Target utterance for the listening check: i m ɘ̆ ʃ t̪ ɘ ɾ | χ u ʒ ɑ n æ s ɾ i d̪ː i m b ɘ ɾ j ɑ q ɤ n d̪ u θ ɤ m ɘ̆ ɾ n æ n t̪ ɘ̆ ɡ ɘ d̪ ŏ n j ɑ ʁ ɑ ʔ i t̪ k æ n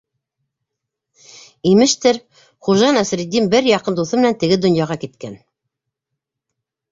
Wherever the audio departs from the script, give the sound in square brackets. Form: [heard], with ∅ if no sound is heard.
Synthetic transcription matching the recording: i m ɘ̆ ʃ t̪ ɘ ɾ | χ u ʒ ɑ n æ s ɾ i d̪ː i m b ɘ ɾ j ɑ q ɤ n d̪ u θ ɤ m ɘ̆ [∅] n æ n t̪ ɘ̆ ɡ ɘ d̪ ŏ n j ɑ ʁ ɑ [k] i t̪ k æ n